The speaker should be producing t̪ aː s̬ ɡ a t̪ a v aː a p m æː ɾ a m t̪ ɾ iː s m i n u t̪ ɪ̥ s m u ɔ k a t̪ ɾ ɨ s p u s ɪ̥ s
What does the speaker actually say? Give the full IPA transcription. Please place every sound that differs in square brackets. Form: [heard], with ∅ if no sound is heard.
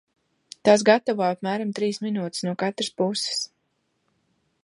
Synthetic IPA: t̪ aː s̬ ɡ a t̪ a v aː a p m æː ɾ a m t̪ ɾ iː s m i n [uː] t̪ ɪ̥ s [n] u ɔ k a t̪ ɾ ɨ s p u s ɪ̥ s